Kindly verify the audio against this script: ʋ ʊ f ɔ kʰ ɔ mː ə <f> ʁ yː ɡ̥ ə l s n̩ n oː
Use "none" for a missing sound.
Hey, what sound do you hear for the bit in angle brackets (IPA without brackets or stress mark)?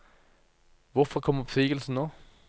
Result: f